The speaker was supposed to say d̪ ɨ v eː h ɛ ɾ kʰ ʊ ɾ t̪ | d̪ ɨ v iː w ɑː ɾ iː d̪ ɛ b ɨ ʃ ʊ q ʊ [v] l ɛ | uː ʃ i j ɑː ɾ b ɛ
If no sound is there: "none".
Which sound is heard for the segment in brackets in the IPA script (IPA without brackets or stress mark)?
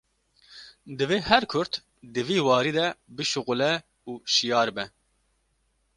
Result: none